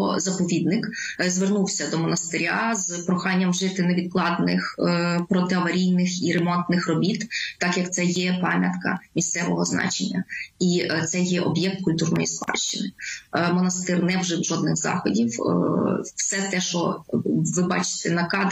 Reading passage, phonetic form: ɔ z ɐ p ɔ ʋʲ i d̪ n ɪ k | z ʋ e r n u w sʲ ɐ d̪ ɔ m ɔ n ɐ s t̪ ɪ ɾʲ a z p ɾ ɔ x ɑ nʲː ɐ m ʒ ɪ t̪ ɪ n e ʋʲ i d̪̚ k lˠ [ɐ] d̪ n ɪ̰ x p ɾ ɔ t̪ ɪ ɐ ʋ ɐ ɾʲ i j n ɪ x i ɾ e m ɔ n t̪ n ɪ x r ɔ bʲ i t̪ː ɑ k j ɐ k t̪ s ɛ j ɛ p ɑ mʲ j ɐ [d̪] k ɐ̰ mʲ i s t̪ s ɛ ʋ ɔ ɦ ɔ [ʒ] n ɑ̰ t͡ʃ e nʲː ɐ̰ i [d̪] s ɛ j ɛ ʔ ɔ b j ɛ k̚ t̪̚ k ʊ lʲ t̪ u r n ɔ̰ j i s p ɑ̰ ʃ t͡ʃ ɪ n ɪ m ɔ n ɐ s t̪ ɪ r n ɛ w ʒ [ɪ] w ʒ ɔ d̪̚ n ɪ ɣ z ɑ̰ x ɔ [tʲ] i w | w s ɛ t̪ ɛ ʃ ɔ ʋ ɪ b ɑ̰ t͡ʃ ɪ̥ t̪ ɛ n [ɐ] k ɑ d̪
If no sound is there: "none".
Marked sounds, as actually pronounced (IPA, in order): ɑ, t̪, z, t̪, ɪ, dʲ, ɐ

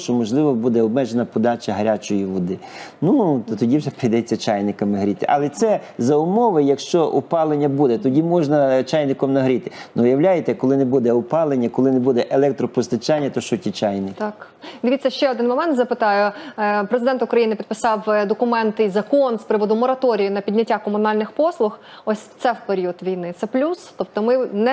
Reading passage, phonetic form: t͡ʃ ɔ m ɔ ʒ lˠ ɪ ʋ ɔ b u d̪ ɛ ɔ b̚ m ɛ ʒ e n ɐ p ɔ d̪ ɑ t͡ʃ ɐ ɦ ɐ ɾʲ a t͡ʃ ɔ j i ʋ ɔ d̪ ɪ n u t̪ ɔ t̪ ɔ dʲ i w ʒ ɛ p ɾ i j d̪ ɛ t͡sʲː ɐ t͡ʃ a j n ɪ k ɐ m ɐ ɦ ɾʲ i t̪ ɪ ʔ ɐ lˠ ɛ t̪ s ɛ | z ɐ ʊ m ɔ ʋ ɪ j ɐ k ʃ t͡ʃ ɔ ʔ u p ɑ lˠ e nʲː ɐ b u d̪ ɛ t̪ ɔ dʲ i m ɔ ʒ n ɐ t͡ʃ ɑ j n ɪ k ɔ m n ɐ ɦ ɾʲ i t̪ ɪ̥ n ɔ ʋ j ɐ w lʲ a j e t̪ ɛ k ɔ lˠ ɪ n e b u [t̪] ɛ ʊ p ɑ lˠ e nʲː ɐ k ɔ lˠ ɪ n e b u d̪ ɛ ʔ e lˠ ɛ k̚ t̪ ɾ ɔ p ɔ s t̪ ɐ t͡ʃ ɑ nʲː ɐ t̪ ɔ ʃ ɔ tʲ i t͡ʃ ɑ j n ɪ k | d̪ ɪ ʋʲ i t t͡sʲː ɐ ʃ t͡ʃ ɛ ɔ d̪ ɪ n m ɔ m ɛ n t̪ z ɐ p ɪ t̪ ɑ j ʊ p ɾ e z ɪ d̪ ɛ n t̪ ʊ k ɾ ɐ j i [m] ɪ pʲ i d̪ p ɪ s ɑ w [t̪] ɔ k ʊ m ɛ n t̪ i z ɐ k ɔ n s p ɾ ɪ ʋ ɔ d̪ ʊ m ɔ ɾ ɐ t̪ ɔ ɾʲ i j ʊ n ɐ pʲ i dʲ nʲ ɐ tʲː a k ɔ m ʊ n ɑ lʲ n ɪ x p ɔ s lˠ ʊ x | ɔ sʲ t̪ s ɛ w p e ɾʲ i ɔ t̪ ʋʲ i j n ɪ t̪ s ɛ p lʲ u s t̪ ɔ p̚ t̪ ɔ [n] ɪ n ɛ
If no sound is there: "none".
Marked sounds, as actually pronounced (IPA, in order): d̪, n, d̪, m

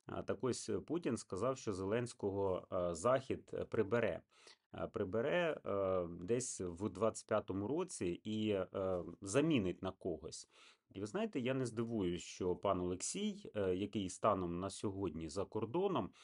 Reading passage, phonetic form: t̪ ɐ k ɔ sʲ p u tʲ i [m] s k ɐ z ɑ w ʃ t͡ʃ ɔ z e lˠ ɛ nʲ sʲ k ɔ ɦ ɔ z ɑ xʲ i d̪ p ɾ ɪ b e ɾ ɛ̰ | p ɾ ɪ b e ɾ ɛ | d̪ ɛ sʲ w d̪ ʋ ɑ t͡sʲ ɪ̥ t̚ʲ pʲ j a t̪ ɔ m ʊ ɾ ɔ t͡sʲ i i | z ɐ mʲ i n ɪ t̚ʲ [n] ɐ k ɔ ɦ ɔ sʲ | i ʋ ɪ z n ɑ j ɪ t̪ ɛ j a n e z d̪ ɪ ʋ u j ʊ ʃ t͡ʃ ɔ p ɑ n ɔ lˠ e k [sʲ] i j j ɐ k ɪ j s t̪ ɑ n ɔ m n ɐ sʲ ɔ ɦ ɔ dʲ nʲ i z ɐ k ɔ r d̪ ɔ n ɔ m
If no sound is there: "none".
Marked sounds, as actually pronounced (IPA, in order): n, n, sʲ

